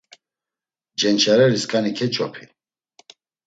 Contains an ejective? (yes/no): yes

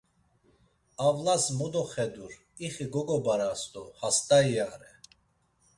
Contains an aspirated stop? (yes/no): no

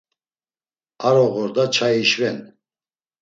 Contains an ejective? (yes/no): no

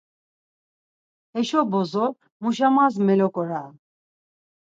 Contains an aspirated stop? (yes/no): no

